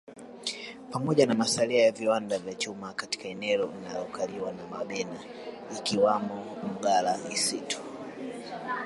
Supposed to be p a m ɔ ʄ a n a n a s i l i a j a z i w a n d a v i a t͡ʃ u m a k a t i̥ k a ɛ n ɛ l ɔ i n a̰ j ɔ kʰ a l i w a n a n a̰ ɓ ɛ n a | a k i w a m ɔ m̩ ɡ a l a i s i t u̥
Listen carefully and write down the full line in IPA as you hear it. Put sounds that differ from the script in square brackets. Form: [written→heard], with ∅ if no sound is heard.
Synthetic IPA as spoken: p a m ɔ ʄ a n a [n→m] a s [i→a] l i a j a [z→v] i w a n d a v [i→j] a t͡ʃ u m a k a t i̥ k a ɛ n ɛ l ɔ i n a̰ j ɔ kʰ a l i w a n a [n→m] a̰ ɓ ɛ n a | [a→i] k i w a m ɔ m̩ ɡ a l a i s i t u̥